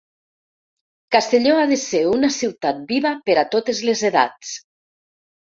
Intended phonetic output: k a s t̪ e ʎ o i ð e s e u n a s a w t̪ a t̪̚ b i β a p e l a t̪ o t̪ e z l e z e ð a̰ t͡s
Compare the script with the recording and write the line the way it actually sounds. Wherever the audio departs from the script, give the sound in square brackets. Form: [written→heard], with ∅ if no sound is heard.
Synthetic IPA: k a s t̪ e ʎ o [i→a] ð e s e u n a s [a→i] w t̪ a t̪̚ b i β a p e [l→ɾ] a t̪ o t̪ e z l e z e ð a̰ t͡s